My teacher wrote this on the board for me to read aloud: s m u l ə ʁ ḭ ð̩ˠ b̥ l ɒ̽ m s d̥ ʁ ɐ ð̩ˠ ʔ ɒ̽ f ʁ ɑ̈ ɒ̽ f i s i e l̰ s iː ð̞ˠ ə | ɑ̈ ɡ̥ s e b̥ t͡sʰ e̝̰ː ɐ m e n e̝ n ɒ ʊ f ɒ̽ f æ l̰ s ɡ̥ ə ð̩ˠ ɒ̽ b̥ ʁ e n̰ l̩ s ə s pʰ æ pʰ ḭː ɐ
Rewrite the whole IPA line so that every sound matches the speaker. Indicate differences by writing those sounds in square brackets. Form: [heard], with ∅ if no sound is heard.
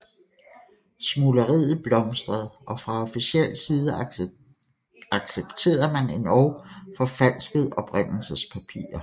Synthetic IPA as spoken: s m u l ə ʁ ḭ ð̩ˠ b̥ l ɒ̽ m s d̥ ʁ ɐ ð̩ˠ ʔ ɒ̽ f ʁ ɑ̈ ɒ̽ f i s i e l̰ s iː ð̞ˠ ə | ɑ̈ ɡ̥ s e b̥ t͡sʰ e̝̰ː ɐ m [æ] n e̝ n ɒ ʊ f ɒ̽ f æ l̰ s ɡ̥ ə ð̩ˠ ɒ̽ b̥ ʁ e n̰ l̩ s ə s pʰ æ pʰ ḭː ɐ